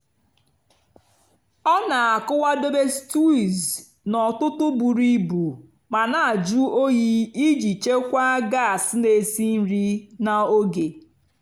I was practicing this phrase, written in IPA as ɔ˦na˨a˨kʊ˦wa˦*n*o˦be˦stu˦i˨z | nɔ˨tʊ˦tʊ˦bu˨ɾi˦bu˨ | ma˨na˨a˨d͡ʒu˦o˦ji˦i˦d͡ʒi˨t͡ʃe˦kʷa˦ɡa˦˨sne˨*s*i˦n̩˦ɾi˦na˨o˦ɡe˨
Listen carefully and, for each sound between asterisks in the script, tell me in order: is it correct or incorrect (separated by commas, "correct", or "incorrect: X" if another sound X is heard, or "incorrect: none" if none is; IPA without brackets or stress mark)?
incorrect: d, correct